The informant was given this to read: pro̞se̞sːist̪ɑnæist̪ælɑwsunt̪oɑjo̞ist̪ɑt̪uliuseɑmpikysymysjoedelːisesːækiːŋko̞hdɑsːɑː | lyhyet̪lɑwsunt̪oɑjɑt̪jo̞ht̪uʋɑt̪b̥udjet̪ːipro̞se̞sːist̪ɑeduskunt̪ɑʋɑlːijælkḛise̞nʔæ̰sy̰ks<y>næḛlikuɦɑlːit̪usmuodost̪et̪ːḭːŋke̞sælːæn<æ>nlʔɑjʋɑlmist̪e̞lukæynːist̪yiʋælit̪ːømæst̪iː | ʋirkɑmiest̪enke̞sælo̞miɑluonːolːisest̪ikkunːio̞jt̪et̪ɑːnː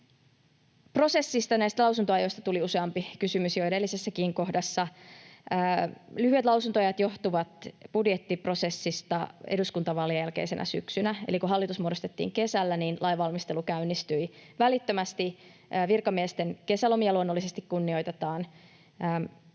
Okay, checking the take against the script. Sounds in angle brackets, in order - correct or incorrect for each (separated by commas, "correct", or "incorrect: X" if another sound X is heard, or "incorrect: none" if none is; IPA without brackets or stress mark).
correct, incorrect: i